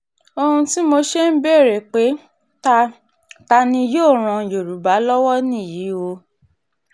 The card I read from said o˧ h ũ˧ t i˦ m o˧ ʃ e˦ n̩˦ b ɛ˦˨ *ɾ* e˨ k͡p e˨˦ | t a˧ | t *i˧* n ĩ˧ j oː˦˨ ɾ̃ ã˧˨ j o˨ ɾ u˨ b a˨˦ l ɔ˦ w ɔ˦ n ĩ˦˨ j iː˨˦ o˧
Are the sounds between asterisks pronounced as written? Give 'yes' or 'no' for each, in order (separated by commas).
yes, no